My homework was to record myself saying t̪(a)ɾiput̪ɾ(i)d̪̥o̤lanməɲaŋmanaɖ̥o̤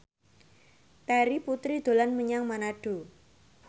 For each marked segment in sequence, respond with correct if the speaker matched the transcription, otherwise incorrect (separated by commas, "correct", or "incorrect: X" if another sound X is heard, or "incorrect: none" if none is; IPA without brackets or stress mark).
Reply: correct, correct